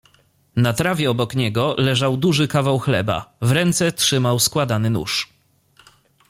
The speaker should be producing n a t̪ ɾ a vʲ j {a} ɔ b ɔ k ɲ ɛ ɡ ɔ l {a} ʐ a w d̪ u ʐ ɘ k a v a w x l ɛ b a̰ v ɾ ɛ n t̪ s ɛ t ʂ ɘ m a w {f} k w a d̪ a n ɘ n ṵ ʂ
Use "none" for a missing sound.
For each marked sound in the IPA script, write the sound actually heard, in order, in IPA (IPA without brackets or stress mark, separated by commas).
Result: ɛ, ɛ, s